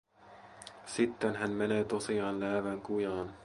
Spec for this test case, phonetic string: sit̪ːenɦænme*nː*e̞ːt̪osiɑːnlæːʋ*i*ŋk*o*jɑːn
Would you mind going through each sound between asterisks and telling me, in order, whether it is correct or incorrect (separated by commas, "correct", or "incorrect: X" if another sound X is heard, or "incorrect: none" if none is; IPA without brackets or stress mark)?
incorrect: n, incorrect: æ, incorrect: u